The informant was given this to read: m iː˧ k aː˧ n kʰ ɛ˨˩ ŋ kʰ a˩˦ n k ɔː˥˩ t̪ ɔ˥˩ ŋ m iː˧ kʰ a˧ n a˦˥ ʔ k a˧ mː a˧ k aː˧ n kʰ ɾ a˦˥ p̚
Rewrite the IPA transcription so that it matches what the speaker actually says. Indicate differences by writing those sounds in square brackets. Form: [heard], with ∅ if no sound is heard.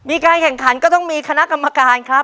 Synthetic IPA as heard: m iː˧ k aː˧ n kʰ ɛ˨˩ ŋ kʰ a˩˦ n k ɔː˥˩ t̪ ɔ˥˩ ŋ m iː˧ kʰ a˧ n a˦˥ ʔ k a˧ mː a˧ k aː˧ n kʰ ɾ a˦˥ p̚